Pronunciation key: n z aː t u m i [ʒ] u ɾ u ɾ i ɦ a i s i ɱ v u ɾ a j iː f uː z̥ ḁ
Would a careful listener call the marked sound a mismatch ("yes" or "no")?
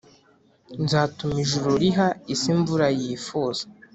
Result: no